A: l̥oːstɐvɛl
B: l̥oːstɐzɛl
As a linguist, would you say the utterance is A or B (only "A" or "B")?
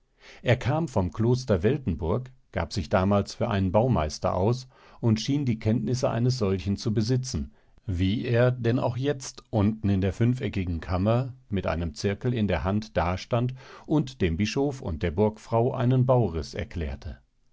A